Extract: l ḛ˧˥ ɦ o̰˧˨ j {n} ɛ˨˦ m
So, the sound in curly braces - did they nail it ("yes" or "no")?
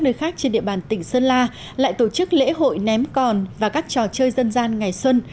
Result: yes